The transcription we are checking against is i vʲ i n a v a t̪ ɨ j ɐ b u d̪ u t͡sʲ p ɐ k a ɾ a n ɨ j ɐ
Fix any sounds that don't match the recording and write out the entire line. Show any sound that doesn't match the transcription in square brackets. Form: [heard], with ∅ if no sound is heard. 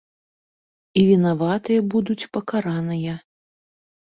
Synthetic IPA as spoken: i vʲ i n a v a t̪ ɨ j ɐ b u d̪ u t͡sʲ p ɐ k a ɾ a n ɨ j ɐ